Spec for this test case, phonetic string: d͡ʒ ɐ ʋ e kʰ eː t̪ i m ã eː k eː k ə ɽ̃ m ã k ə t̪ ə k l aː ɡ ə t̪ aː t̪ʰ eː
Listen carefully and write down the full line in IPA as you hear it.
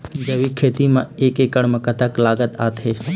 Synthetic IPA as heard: d͡ʒ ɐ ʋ i kʰ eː t̪ i m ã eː k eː k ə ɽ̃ m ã k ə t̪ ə k l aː ɡ ə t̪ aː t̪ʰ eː